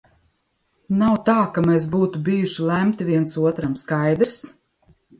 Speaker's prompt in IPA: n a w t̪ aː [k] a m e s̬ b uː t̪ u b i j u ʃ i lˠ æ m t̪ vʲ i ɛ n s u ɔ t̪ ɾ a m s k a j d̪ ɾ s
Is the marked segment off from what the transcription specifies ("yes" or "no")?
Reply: no